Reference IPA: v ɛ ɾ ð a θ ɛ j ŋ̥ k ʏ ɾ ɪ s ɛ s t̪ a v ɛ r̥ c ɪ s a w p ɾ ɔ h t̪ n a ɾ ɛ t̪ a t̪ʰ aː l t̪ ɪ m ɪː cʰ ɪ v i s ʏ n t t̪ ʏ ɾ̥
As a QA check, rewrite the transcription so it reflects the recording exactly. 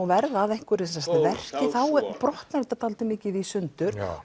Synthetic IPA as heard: v ɛ ɾ ð a ð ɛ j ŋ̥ k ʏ ɾ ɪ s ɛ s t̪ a v ɛ r̥ c ɪ θ a w p ɾ ɔ h t̪ n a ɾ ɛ t̪ a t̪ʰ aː l t̪ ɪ m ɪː c ɪ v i s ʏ n t t̪ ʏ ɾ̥